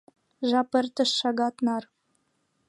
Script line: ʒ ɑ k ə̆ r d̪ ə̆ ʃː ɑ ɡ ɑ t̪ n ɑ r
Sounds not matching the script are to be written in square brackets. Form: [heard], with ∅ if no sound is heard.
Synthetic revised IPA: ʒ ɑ [p] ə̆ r [t̪] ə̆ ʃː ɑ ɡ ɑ t̪ n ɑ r